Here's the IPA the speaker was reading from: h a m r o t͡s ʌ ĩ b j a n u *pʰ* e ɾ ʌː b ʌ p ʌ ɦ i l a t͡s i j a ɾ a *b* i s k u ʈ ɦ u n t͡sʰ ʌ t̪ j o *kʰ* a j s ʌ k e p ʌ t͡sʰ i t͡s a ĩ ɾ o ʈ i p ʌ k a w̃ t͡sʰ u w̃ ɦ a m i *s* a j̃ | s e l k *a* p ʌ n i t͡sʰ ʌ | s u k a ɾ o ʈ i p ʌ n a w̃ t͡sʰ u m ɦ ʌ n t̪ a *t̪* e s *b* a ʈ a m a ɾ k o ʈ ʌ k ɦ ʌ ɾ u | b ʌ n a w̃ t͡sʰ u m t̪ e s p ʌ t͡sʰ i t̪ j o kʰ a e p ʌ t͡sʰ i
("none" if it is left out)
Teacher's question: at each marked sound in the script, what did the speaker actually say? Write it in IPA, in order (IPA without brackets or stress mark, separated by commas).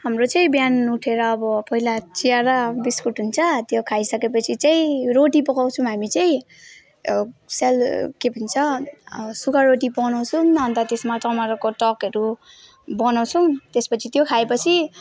ʈʰ, b, kʰ, t͡s, e, t̪, m